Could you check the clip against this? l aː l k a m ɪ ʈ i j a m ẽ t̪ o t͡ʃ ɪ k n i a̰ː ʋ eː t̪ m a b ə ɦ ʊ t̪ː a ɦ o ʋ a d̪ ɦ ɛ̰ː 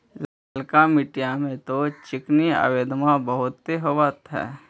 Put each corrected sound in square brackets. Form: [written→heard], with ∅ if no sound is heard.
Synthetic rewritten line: l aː l k a m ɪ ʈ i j a m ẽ t̪ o t͡ʃ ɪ k n i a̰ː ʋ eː [t̪→d̪] m a b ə ɦ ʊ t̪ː [a→e] ɦ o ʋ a [d̪→t̪] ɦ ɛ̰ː